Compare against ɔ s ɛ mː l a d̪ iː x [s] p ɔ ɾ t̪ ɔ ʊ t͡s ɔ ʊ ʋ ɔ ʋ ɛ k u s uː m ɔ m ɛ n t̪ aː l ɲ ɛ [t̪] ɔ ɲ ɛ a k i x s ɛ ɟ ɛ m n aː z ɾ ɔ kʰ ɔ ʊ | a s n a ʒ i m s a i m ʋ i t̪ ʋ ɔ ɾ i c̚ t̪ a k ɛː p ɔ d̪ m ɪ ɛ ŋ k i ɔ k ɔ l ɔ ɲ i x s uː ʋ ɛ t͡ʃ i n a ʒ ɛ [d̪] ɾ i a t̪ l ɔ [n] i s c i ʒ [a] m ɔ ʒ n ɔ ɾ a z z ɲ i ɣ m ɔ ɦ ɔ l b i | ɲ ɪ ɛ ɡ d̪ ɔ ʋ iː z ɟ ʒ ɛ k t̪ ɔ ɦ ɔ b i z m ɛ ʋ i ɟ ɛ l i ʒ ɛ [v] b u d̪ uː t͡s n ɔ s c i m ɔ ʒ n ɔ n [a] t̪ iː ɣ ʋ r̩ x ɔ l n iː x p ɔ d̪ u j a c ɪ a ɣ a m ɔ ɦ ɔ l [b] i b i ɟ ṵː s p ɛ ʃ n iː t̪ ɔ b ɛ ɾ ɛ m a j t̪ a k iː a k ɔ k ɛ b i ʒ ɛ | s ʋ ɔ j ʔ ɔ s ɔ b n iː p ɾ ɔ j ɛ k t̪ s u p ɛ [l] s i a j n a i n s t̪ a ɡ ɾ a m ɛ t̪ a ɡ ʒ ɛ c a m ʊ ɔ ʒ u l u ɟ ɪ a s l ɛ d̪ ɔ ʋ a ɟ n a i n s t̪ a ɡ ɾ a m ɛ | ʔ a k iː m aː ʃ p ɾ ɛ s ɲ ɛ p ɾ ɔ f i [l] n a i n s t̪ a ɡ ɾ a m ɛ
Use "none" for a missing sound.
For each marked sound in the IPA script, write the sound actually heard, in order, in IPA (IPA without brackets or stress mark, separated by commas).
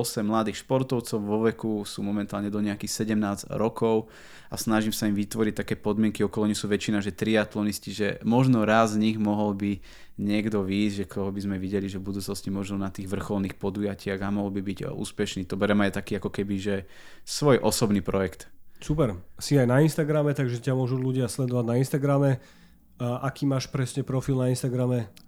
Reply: ʃ, d̪, t̪, n, ɛ, v, a, b, ɾ, l